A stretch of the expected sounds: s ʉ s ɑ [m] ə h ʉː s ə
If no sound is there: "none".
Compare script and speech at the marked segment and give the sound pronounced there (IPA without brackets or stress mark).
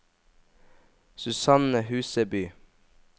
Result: n